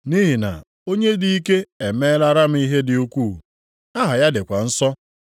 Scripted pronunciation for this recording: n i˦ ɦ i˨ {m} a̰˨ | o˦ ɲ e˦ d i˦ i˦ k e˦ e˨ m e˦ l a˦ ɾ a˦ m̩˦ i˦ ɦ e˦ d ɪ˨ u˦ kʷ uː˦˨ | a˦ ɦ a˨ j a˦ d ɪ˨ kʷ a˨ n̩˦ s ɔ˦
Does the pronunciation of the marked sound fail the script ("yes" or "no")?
yes